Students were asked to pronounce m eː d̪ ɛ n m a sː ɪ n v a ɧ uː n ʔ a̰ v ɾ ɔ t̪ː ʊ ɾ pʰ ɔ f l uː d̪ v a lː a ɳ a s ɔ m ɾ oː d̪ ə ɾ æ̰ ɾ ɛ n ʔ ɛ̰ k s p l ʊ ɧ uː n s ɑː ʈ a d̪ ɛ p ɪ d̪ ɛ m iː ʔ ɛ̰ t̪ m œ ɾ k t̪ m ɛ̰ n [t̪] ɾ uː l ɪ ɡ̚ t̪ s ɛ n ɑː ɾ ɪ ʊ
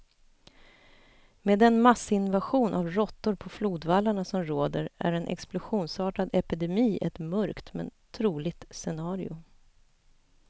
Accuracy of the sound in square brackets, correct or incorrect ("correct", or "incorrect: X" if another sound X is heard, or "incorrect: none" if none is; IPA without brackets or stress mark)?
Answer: incorrect: t̪ʰ